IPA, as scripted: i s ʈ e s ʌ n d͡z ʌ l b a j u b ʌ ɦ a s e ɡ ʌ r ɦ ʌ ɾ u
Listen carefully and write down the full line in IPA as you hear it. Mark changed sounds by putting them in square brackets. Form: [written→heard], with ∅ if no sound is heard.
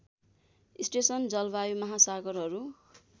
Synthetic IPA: i s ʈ e s ʌ n d͡z ʌ l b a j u [b→m] ʌ ɦ a s [e→a] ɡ ʌ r ɦ ʌ ɾ u

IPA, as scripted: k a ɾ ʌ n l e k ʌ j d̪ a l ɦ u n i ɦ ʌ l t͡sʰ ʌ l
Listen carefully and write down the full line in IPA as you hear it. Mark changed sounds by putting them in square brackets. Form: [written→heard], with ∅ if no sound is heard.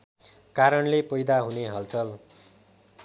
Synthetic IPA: k a ɾ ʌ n l e [k→p] ʌ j d̪ a [l→∅] ɦ u n [i→e] ɦ ʌ l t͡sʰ ʌ l

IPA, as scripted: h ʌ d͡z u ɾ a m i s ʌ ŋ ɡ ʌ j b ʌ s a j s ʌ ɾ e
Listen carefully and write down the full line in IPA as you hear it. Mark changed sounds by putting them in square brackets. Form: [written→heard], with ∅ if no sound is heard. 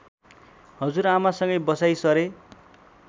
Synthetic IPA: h ʌ d͡z u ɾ a m [i→a] s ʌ ŋ ɡ ʌ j b ʌ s a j s ʌ ɾ e

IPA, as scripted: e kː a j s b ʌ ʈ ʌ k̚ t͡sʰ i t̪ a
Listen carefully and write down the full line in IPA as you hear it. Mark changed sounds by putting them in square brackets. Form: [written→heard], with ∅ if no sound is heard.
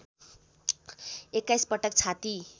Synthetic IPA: e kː a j s [b→p] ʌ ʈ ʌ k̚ t͡sʰ [i→a] t̪ [a→i]

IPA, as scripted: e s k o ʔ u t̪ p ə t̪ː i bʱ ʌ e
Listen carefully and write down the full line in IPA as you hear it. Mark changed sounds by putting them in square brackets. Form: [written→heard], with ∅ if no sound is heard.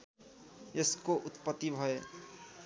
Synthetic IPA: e s k o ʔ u t̪ p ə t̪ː i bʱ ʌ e

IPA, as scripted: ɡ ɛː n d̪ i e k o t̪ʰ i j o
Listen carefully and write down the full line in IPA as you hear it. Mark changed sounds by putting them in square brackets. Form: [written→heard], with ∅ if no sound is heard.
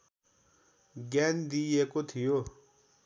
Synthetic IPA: ɡ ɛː n d̪ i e k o t̪ʰ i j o

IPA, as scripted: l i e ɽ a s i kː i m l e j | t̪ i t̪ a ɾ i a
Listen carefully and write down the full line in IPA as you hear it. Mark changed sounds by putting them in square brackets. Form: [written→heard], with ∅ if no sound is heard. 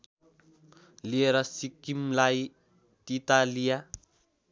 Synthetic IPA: l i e [ɽ→ɾ] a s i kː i m l [e→a] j | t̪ i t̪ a [ɾ→l] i a

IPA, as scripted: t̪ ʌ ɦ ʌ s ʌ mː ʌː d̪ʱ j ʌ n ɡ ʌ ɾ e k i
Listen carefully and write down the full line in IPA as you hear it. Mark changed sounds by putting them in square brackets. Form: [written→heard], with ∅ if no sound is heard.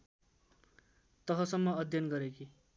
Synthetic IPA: t̪ ʌ ɦ ʌ s ʌ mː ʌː d̪ʱ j ʌ n ɡ ʌ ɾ e k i

